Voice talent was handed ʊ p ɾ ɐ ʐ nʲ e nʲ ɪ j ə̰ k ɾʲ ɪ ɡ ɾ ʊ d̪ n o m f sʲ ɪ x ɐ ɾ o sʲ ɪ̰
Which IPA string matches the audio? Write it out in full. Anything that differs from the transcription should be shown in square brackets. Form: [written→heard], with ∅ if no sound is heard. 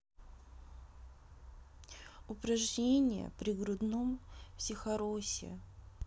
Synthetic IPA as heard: ʊ p ɾ ɐ ʐ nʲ e nʲ ɪ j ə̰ [k→p] ɾʲ ɪ ɡ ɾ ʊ d̪ n o m f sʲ ɪ x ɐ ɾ o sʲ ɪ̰